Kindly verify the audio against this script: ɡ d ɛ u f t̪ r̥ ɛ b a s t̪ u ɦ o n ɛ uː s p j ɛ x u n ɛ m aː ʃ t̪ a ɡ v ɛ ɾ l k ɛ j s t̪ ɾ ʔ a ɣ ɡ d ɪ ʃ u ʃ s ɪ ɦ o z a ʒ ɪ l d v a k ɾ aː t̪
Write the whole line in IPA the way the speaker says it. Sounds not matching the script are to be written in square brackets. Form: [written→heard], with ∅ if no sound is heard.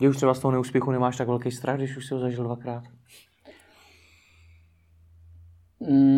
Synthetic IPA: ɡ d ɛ u [f→ʃ] t̪ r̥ ɛ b a s t̪ [u→o] ɦ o n ɛ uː s p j ɛ x u n ɛ m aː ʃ t̪ a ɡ v ɛ [ɾ→∅] l k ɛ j s t̪ ɾ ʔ a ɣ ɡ d ɪ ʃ u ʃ s ɪ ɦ o z a ʒ ɪ l d v a k ɾ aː t̪